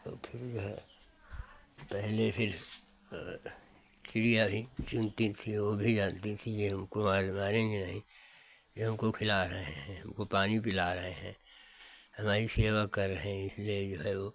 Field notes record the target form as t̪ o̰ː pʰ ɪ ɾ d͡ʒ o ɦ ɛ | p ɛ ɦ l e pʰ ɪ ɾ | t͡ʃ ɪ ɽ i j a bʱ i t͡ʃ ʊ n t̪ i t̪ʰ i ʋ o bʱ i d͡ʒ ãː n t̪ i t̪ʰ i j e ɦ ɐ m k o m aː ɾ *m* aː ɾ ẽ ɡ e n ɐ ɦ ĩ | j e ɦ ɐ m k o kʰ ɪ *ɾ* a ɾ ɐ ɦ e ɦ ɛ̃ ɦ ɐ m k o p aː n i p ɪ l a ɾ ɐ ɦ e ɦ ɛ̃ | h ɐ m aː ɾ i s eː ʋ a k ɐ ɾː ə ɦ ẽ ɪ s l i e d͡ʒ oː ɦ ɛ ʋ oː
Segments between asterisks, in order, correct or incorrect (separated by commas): correct, incorrect